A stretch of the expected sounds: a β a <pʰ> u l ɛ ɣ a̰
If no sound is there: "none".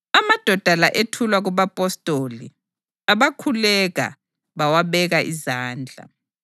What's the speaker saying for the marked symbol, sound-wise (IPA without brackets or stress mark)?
kʰ